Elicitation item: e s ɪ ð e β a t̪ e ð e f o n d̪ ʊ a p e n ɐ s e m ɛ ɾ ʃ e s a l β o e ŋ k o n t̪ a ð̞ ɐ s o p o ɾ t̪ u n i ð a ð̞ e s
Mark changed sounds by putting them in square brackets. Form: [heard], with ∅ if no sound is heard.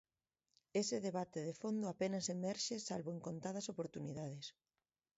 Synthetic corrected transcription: e s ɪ ð e β a t̪ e ð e f o n d̪ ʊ a p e n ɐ s e m ɛ ɾ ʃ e s a l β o e ŋ k o n t̪ a ð̞ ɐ s o p o ɾ t̪ u n i ð a ð̞ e s